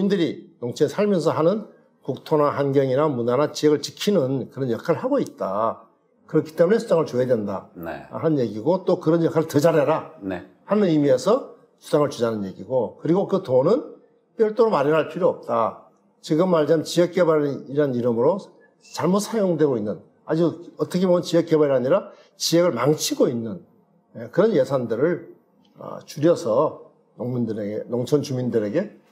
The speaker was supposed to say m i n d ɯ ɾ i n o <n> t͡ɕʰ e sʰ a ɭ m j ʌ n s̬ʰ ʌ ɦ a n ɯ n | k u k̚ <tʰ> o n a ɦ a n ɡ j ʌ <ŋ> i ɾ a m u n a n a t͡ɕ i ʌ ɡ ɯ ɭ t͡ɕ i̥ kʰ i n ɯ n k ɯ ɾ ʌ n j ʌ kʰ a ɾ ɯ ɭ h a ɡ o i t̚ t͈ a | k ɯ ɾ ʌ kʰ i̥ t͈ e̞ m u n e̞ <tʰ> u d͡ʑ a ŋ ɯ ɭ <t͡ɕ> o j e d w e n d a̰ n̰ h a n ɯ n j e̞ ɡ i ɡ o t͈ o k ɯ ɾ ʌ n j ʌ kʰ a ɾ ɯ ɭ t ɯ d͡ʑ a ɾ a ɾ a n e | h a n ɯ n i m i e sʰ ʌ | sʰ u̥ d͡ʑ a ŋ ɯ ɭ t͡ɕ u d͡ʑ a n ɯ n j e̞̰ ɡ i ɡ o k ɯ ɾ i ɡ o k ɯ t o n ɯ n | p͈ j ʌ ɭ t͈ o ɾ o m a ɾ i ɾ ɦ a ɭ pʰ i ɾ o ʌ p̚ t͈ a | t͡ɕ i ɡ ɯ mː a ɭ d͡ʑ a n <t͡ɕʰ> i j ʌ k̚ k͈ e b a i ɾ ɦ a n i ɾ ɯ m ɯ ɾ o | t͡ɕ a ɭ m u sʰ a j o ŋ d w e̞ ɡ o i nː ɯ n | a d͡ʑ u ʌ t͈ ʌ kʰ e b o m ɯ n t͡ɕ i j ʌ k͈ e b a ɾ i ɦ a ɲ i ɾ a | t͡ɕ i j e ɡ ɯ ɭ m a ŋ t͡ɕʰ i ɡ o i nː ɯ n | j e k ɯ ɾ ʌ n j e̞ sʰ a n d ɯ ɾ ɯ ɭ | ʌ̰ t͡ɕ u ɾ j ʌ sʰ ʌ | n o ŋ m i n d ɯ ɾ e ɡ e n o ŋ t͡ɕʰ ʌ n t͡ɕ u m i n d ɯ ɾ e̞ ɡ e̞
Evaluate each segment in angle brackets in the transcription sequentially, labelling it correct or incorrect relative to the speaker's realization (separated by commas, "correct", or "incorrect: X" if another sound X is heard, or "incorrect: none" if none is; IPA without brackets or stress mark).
incorrect: ŋ, correct, correct, incorrect: sʰ, correct, incorrect: t͡ɕ